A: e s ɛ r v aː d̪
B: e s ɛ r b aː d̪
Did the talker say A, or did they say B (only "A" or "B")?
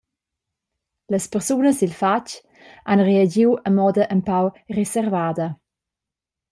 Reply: A